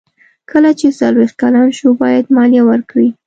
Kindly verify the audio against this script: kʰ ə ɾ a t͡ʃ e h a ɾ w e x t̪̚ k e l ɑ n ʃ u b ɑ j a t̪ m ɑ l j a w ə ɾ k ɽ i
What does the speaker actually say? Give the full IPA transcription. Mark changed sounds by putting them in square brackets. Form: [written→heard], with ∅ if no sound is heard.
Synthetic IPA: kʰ ə [ɾ→l] a t͡ʃ e [h→s] a [ɾ→l] w e x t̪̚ k [e→a] l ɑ n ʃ u b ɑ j a [t̪→d̪] m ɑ l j a w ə ɾ k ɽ i